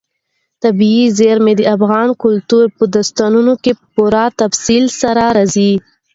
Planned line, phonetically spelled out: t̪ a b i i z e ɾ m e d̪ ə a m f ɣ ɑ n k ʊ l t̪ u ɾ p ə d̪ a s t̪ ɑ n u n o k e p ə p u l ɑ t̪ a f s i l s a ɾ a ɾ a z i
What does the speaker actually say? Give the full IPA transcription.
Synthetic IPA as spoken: t̪ a b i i z e ɾ m e d̪ ə a f ɣ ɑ n k ʊ l t̪ u ɾ p ə d̪ a s t̪ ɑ n u n o k e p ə p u ɾ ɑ t̪ a f s i l s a ɾ a ɾ a z i